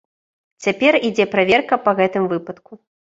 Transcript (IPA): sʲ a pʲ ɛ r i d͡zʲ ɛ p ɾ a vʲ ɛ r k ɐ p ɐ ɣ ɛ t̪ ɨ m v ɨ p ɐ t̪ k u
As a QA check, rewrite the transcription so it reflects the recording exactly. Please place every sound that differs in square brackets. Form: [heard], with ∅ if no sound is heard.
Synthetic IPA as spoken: [t͡sʲ] a pʲ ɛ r i d͡zʲ ɛ p ɾ a vʲ ɛ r k ɐ p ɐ ɣ ɛ t̪ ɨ m v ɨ p ɐ t̪ k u